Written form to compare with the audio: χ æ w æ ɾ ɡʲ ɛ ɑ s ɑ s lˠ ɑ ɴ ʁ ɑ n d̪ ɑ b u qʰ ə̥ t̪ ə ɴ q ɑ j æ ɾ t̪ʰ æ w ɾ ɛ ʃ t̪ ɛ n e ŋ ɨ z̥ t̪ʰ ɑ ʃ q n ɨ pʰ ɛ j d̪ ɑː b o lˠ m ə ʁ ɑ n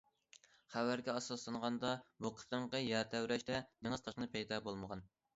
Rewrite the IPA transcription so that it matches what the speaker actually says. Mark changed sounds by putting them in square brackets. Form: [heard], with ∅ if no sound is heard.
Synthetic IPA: χ æ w æ ɾ ɡʲ ɛ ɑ s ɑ s lˠ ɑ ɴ ʁ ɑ n d̪ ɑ b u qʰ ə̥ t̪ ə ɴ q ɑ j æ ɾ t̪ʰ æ w ɾ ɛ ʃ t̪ ɛ n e ŋ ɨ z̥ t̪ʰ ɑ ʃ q n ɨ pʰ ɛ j d̪ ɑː b o lˠ m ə ʁ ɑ n